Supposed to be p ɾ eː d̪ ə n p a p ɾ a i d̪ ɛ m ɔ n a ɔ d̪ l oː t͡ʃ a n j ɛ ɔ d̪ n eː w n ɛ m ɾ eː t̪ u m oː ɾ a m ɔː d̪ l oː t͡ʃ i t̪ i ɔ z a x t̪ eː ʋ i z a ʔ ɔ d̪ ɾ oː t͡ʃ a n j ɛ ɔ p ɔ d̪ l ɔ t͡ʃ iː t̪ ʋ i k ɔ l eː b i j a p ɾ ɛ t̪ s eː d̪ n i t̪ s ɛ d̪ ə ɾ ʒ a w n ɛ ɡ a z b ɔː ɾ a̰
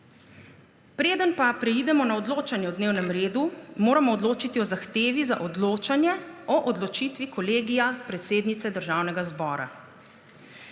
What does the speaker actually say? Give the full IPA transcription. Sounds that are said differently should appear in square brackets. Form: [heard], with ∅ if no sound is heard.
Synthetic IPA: p ɾ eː d̪ ə n p a p ɾ [ɛ] i d̪ ɛ m ɔ n a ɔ d̪ l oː t͡ʃ a n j ɛ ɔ d̪ n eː w n ɛ m ɾ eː [d̪] u m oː ɾ a m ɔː d̪ l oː t͡ʃ i t̪ i ɔ z a x t̪ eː ʋ i z a ʔ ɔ d̪ [l] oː t͡ʃ a n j ɛ ɔ [ʔ] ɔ d̪ l ɔ t͡ʃ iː t̪ ʋ i k ɔ l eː [ɡ] i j a p ɾ ɛ t̪ s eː d̪ n i t̪ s ɛ d̪ ə ɾ ʒ a w n ɛ ɡ a z b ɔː ɾ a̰